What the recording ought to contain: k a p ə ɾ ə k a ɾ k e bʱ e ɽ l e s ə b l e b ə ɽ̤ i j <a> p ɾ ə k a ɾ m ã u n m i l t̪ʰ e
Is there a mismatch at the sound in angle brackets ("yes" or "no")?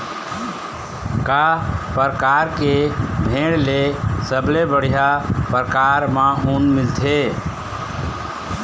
no